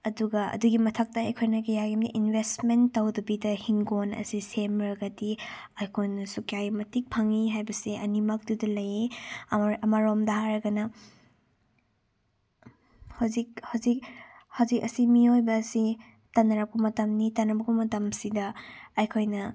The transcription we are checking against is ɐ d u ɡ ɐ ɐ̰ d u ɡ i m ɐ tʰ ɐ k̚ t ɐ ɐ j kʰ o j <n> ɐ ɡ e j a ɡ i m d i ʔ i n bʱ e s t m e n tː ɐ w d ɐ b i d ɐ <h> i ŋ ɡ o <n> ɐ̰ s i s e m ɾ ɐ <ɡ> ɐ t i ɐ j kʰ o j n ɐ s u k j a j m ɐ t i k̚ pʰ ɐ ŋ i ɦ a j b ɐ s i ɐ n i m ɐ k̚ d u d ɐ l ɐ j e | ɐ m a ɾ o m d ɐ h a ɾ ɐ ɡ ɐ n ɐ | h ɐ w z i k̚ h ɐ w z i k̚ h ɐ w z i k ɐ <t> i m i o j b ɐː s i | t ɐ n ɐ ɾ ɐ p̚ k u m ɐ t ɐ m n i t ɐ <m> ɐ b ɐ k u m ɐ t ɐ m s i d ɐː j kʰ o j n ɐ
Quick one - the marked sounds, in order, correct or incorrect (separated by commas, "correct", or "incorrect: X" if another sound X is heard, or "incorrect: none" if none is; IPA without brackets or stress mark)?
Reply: correct, correct, correct, correct, incorrect: s, incorrect: n